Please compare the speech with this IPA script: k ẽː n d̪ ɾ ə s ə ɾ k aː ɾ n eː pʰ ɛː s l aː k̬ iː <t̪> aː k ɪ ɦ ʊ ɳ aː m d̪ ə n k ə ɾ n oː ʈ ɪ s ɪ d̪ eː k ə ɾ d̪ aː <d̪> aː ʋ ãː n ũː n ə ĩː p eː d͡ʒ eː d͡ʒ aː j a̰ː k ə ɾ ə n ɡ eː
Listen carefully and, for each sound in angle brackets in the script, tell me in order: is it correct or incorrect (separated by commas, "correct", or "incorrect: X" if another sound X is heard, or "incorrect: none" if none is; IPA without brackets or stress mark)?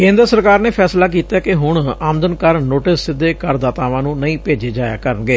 correct, incorrect: t̪